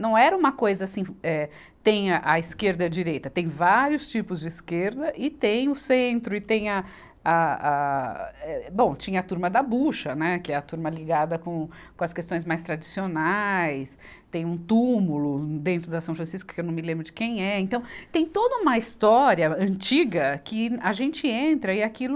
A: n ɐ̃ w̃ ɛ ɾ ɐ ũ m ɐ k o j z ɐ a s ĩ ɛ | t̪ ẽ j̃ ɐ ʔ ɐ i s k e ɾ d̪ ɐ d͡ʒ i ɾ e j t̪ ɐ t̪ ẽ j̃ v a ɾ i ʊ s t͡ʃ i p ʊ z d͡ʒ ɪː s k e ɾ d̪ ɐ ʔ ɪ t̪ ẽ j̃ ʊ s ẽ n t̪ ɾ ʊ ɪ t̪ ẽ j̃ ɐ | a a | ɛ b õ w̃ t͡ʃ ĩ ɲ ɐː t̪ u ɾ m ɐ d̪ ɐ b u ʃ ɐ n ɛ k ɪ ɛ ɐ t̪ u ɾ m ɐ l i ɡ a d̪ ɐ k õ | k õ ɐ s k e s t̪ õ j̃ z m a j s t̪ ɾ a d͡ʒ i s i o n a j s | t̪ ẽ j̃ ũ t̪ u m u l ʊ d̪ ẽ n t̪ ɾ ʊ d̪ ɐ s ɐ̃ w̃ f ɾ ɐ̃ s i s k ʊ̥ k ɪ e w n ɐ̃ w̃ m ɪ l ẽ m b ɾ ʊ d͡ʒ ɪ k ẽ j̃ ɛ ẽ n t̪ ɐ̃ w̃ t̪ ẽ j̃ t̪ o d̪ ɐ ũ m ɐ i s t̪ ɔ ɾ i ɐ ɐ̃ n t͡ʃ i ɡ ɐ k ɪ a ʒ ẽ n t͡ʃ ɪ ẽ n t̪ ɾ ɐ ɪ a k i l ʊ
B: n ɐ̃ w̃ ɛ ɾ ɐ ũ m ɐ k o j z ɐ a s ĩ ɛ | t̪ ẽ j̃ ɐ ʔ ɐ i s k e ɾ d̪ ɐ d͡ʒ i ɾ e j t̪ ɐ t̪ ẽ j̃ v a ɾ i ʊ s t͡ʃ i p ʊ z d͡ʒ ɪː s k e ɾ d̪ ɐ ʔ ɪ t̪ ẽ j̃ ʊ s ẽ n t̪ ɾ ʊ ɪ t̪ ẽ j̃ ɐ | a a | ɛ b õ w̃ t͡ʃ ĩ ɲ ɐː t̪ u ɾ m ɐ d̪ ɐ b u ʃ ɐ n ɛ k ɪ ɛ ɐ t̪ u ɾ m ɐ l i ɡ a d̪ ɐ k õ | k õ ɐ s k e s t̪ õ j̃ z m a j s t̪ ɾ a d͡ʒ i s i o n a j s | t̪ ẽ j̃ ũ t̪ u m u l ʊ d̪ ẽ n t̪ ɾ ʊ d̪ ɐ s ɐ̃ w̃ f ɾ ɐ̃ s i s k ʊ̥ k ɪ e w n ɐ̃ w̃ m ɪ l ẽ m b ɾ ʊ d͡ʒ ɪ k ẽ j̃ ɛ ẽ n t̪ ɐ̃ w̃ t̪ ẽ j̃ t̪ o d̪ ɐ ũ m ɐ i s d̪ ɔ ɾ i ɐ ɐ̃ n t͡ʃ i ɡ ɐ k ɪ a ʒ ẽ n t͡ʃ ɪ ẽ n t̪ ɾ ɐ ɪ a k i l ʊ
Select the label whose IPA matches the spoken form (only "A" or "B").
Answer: A